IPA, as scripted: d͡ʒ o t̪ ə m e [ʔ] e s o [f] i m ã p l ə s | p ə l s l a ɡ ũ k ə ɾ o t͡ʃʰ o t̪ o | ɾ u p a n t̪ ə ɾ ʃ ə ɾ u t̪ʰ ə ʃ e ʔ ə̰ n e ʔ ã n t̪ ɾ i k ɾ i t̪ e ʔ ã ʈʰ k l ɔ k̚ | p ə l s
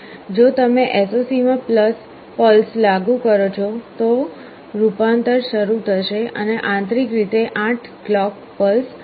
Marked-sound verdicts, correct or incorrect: correct, incorrect

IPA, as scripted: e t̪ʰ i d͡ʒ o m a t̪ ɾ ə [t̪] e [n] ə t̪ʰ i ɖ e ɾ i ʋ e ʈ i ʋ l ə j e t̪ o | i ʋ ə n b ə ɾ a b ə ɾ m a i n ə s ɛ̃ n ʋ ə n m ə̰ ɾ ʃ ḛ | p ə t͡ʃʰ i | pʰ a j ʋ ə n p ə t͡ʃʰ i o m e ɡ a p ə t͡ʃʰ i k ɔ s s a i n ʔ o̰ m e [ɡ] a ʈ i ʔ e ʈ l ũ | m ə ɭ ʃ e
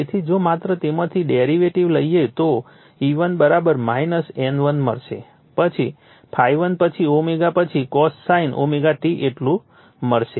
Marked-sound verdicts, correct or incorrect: correct, incorrect, correct

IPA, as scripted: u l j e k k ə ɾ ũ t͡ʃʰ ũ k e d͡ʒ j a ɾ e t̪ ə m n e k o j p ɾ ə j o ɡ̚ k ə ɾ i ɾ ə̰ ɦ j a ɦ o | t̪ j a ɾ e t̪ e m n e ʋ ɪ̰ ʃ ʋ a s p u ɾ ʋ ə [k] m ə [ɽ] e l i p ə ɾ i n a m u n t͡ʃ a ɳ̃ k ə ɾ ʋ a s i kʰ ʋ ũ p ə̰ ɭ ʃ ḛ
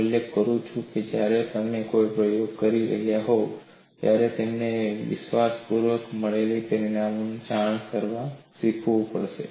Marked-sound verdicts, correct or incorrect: correct, incorrect

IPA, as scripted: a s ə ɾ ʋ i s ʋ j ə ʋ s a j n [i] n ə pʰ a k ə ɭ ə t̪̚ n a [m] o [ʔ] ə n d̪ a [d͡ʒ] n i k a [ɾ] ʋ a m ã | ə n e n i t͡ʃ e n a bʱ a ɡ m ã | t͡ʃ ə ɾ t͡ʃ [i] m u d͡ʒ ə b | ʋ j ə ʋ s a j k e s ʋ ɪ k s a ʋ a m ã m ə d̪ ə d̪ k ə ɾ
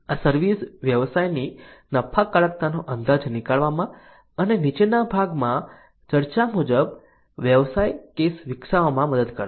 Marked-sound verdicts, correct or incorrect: correct, incorrect, correct, correct, incorrect, incorrect

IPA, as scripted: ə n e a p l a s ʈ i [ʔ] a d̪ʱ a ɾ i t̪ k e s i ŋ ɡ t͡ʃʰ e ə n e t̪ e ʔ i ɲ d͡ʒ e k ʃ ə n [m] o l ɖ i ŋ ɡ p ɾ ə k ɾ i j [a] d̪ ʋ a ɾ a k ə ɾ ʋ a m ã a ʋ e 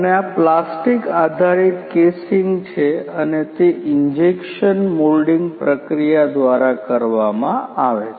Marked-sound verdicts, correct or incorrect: incorrect, correct, correct

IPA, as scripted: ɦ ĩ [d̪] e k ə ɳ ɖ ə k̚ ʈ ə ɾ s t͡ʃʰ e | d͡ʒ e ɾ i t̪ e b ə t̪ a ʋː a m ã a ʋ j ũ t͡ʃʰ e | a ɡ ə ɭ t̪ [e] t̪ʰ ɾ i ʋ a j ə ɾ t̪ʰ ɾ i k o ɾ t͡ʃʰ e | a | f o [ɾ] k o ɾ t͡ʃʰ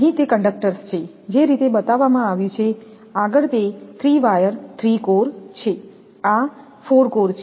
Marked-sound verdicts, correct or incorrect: incorrect, correct, correct

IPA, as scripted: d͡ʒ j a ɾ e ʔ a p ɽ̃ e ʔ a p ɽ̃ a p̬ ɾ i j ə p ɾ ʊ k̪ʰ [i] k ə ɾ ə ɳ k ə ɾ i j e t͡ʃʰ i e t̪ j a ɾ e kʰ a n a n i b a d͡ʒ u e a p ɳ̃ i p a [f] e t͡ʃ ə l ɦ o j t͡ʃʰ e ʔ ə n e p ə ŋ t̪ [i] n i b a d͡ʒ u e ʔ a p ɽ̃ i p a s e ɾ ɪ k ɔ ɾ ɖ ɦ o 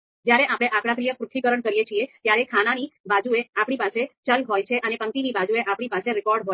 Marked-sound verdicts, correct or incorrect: correct, incorrect, correct

